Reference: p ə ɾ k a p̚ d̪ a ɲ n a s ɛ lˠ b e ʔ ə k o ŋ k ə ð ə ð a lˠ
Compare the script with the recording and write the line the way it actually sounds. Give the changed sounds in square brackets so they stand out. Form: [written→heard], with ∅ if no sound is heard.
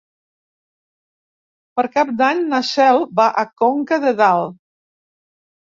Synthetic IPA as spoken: p ə ɾ k a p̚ d̪ a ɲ n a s ɛ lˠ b [e→a] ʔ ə k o ŋ k ə ð ə ð a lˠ